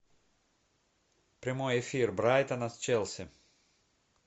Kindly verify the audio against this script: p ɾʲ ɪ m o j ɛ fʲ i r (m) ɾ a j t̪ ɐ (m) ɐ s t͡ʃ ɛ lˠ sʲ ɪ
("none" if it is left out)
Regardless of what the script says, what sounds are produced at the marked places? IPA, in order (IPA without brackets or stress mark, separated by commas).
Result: b, n